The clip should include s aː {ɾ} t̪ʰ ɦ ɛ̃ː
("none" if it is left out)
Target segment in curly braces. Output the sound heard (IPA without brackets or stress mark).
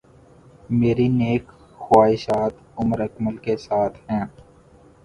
none